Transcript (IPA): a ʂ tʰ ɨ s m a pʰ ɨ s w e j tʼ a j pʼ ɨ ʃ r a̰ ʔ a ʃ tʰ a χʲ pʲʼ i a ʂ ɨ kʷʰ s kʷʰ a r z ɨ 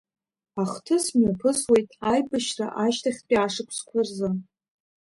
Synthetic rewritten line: a χ tʰ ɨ s m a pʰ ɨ s w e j tʼ a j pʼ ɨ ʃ r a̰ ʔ a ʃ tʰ a χʲ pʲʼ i a ʂ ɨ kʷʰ s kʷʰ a r z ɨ